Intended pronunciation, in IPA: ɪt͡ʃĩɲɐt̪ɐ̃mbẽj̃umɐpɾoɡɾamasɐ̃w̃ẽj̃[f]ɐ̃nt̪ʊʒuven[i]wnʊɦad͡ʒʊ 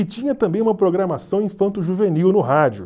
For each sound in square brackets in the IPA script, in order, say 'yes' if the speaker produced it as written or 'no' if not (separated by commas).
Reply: yes, yes